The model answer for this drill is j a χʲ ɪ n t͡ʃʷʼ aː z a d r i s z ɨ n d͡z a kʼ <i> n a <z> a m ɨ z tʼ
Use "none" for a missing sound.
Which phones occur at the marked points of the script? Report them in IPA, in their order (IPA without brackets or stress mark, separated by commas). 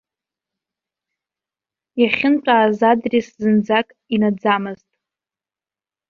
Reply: i, d͡z